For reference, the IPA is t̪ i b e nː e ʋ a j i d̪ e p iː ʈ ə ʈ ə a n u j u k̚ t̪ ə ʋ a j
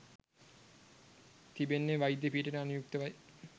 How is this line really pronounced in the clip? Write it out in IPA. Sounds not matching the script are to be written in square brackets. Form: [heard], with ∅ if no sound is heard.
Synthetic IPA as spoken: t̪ i b e nː e ʋ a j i d̪ e p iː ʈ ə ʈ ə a n u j u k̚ t̪ ə ʋ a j